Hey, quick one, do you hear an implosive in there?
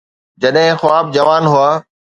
yes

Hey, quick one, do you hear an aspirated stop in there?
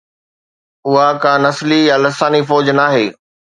no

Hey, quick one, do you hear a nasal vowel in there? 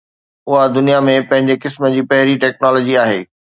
yes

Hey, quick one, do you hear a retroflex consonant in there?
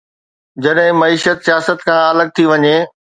no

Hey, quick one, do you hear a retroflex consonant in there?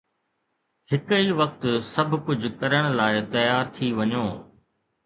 yes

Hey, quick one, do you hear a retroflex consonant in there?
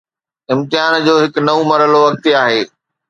no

